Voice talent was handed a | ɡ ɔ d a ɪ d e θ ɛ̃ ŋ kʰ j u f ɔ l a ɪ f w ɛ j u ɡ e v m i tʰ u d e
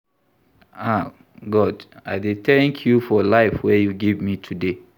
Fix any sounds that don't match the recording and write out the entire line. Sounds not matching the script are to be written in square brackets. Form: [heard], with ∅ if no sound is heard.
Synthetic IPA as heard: a | ɡ ɔ d a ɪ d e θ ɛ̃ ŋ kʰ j u f ɔ l a ɪ f w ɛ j u ɡ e v m i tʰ u d e